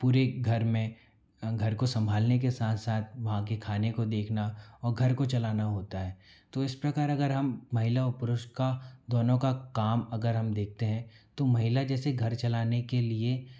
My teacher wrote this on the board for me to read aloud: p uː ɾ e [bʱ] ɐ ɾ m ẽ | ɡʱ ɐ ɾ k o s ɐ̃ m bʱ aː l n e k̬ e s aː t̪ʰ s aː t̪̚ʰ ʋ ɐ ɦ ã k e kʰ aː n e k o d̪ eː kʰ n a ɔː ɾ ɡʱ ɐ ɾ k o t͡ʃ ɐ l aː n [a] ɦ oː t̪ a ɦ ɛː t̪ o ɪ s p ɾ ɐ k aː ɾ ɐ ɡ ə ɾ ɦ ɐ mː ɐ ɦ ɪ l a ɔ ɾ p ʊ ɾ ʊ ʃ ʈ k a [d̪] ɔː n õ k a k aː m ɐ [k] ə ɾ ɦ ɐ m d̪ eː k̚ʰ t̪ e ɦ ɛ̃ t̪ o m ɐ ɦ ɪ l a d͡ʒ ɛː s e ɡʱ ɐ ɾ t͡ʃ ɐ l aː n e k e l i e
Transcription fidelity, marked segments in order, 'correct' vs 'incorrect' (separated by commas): incorrect, correct, correct, incorrect